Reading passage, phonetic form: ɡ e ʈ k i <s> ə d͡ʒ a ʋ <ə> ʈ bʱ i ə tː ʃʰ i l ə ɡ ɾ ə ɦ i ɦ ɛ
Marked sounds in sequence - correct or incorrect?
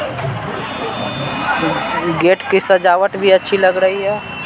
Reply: correct, correct

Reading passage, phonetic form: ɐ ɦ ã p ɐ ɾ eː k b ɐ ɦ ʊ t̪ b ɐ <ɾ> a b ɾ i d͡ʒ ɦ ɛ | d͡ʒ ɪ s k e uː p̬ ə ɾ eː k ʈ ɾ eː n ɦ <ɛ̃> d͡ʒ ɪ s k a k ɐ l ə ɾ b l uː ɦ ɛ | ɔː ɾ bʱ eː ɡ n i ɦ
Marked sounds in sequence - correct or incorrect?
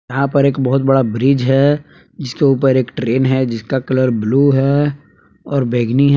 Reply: incorrect: ɽ, incorrect: ɛ

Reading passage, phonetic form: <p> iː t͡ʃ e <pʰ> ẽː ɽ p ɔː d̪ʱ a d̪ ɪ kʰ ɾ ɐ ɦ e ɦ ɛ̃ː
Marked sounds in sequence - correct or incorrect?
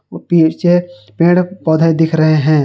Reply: correct, incorrect: p

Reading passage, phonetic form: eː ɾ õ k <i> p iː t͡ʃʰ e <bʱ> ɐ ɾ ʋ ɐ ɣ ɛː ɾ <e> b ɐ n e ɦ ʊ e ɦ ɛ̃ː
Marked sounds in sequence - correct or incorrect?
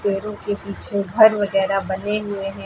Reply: incorrect: e, incorrect: ɡʱ, incorrect: a

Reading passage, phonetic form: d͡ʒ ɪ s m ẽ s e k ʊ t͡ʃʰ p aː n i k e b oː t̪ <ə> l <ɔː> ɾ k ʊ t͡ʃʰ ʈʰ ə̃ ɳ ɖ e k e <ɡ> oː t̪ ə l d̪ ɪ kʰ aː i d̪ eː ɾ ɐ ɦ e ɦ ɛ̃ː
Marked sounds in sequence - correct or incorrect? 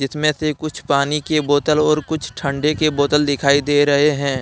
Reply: correct, correct, incorrect: b

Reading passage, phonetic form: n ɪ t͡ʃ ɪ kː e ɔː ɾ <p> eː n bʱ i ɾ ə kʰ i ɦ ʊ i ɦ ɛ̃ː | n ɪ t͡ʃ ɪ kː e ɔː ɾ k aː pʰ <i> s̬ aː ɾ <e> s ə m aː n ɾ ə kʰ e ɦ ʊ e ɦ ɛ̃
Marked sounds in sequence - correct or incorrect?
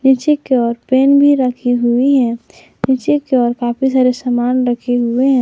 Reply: correct, correct, correct

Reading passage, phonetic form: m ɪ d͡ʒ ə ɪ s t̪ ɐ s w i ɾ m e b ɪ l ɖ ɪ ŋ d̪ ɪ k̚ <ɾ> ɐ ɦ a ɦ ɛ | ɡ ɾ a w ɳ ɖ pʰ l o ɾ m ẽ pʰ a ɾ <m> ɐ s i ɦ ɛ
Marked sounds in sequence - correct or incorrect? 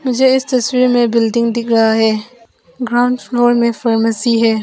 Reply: correct, correct

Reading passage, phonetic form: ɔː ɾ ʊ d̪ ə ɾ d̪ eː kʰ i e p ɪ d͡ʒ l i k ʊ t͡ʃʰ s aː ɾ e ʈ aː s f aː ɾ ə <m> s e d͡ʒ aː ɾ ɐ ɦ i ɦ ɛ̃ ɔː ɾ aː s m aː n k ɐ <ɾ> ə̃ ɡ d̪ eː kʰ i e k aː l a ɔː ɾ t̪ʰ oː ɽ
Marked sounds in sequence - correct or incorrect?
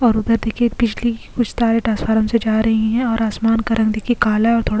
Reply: correct, correct

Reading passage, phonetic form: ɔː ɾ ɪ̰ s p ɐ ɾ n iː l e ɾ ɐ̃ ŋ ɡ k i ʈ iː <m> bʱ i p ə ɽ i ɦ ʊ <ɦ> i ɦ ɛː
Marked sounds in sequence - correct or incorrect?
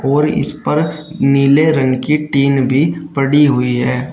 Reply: incorrect: n, incorrect: none

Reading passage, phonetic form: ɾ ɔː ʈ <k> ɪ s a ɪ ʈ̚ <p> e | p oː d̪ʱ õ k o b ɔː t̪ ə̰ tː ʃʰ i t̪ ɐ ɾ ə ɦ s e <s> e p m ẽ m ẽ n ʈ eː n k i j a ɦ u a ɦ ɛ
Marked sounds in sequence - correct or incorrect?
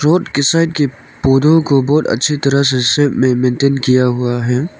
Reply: correct, incorrect: k, correct

